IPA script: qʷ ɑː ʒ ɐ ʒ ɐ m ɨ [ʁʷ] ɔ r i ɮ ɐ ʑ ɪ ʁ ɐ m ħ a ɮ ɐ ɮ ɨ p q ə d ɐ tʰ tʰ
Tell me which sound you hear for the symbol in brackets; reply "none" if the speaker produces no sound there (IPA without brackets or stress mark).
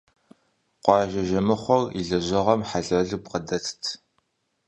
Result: χʷ